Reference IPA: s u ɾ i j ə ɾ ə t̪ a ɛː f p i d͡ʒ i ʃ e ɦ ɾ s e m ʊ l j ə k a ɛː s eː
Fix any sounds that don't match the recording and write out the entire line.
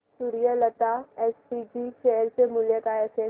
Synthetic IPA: s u ɾ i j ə l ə t̪ a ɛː s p i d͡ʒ i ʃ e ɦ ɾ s e m ʊ l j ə k a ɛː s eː